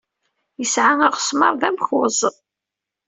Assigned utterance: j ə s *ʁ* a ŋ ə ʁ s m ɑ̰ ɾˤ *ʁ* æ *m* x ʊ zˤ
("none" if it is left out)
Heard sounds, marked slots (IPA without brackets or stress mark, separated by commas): ʕ, ð, m